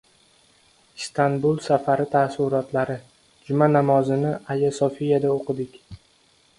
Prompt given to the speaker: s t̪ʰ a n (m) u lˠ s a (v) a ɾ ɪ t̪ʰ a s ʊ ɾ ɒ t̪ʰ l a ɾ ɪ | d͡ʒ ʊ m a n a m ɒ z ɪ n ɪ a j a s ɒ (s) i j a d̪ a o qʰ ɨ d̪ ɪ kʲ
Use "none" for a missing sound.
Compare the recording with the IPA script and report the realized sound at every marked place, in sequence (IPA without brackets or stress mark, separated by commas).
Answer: b, f, f